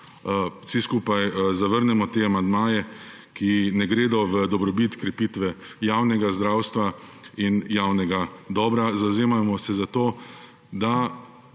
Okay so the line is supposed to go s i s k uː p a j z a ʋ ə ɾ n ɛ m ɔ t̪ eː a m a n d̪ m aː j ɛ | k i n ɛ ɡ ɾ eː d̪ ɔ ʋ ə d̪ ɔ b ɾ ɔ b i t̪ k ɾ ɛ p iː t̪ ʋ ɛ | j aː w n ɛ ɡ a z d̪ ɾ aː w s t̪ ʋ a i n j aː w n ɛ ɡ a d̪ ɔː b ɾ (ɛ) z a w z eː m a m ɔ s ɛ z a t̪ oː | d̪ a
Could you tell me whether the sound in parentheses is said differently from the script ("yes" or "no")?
yes